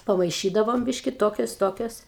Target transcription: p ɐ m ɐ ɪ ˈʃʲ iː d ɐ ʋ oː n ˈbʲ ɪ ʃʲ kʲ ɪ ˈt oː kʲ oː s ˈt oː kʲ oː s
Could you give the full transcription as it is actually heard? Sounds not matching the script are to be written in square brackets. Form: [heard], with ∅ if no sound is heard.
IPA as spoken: p ɐ m ɐ ɪ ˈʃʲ iː d ɐ ʋ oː [m] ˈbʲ ɪ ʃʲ kʲ ɪ ˈt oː kʲ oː s ˈt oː kʲ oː s